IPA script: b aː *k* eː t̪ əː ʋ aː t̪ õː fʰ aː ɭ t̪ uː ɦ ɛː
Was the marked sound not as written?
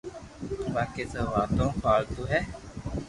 no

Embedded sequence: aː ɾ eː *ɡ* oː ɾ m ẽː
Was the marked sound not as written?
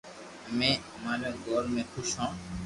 no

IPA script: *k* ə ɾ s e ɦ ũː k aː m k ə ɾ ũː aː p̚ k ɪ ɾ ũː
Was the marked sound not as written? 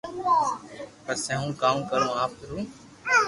yes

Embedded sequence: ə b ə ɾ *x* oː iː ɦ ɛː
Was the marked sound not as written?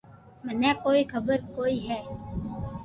yes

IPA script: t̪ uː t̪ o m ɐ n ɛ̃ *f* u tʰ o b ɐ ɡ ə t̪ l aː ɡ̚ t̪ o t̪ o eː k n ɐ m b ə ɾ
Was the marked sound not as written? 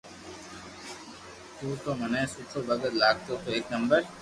yes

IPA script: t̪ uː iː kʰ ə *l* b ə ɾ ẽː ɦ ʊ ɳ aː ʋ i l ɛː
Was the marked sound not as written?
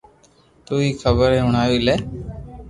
yes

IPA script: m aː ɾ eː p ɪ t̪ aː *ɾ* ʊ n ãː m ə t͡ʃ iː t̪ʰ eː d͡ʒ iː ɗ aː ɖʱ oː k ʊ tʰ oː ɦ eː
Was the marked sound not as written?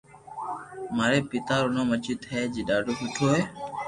no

